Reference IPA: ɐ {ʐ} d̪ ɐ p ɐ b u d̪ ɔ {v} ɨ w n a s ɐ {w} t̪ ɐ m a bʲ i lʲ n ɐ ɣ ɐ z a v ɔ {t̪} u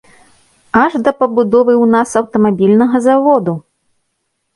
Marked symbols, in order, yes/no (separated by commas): yes, yes, yes, no